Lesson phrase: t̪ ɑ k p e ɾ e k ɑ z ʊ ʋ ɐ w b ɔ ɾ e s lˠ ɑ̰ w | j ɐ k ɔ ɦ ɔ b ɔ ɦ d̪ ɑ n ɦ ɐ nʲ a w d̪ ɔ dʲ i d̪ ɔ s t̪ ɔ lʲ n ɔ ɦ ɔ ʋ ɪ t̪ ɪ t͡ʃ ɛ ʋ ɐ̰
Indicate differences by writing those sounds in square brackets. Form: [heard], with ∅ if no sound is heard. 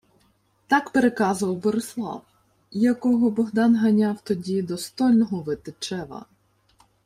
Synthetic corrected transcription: t̪ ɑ k p e ɾ e k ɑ z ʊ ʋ ɐ w b ɔ ɾ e s lˠ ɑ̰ w | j ɐ k ɔ ɦ ɔ b ɔ ɦ d̪ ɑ n ɦ ɐ nʲ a w [t̪] ɔ dʲ i d̪ ɔ s t̪ ɔ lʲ n ɔ ɦ ɔ ʋ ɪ t̪ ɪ t͡ʃ ɛ ʋ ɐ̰